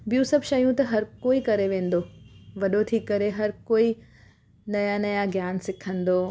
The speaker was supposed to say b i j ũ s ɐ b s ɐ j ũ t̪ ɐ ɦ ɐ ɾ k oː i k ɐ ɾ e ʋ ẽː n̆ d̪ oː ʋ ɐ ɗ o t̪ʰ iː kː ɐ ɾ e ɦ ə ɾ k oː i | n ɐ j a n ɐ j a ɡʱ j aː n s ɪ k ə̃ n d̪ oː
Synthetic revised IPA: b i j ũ s ɐ b ʃ ɐ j ũ t̪ ɐ ɦ ɐ ɾ k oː i k ɐ ɾ e ʋ ẽː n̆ d̪ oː ʋ ɐ ɗ o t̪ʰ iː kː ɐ ɾ e ɦ ɐ ɾ k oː i | n ɐ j a n ɐ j a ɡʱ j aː n s ɪ kʰ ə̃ n d̪ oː